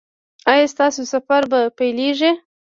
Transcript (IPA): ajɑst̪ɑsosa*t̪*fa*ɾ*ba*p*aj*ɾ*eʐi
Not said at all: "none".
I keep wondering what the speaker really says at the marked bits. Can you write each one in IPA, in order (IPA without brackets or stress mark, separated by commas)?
none, ɾ, p, l